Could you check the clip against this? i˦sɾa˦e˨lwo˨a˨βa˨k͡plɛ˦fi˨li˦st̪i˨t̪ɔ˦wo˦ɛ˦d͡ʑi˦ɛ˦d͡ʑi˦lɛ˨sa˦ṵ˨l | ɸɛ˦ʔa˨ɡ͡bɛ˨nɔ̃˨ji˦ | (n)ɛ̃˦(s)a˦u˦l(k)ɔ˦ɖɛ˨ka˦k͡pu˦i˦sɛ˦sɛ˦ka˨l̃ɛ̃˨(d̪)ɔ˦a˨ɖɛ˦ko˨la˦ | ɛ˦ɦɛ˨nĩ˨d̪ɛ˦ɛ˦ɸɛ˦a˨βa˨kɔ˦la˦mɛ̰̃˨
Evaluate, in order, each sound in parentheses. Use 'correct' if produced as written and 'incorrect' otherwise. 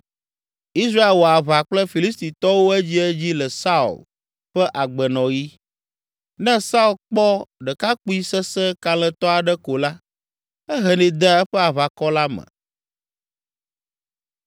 correct, correct, incorrect, incorrect

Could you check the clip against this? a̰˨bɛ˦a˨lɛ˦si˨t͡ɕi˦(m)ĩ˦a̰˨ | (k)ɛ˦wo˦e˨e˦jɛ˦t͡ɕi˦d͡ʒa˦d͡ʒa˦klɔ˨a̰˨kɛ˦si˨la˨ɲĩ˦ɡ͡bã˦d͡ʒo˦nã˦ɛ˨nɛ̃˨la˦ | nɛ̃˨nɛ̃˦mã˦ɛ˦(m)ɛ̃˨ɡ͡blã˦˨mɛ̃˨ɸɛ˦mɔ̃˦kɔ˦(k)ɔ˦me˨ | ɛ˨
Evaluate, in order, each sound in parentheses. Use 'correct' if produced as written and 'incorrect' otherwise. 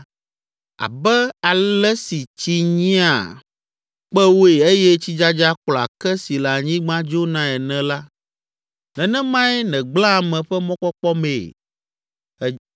incorrect, incorrect, incorrect, incorrect

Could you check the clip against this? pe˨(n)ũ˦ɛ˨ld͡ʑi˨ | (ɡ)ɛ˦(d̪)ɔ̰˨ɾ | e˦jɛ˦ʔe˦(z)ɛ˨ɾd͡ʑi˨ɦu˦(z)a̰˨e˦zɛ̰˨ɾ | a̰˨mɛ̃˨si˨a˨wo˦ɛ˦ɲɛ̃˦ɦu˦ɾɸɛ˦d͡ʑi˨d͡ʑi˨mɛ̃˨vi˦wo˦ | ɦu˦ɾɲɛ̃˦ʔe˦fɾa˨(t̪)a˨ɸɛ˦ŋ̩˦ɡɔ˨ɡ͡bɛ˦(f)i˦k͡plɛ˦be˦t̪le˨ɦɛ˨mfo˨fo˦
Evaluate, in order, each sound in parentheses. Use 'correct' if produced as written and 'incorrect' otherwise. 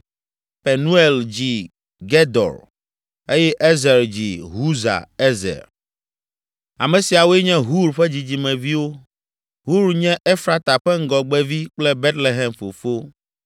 correct, correct, correct, correct, correct, correct, incorrect

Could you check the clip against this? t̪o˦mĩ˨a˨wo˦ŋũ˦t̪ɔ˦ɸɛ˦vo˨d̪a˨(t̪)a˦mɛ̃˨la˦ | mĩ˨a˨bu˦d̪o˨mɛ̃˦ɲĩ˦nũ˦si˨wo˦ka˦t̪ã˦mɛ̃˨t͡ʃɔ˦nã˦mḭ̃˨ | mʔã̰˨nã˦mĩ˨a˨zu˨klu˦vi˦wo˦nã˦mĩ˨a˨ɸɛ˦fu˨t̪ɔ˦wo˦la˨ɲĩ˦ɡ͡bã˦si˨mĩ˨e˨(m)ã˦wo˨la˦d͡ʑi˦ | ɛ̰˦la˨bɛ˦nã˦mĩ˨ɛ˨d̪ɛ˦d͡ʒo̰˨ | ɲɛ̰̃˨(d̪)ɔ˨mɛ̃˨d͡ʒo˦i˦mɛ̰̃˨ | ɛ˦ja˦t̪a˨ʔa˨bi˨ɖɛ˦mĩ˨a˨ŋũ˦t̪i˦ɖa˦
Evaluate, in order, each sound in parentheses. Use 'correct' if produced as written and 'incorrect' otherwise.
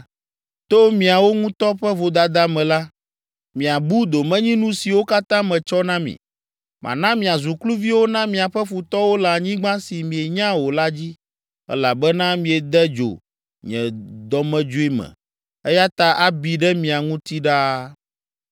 incorrect, incorrect, correct

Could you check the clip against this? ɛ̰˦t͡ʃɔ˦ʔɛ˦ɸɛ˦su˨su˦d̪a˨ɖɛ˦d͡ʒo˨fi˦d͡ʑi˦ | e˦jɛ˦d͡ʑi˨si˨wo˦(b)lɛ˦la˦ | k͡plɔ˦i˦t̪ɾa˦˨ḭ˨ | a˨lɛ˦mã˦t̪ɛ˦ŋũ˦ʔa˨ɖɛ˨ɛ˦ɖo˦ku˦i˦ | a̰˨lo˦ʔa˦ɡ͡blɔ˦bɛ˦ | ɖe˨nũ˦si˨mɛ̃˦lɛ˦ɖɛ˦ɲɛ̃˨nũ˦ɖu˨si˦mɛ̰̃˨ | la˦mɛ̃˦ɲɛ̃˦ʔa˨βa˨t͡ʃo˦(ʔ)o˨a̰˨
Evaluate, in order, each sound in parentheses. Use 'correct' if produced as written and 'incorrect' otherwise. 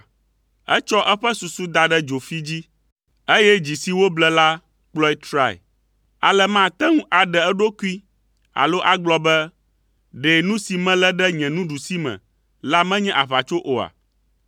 correct, correct

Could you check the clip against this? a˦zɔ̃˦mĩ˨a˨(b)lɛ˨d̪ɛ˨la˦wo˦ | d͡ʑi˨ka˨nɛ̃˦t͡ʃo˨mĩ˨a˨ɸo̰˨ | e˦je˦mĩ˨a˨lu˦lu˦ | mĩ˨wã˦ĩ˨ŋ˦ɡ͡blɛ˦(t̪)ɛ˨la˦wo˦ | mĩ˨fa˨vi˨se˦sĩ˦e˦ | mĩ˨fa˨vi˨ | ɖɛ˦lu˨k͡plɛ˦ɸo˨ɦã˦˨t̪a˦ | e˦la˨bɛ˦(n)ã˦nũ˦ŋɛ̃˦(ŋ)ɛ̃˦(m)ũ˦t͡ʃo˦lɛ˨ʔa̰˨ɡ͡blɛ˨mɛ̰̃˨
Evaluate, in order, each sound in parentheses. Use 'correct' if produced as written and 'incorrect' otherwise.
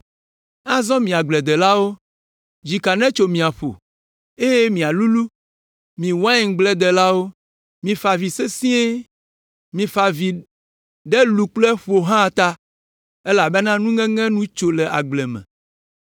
incorrect, incorrect, correct, correct, incorrect

